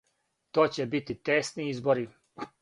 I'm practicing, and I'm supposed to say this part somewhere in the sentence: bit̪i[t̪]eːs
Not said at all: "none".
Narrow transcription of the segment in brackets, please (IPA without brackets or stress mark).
t̪